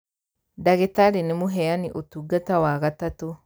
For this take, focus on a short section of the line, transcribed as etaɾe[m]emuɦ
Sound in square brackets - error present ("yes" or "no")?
yes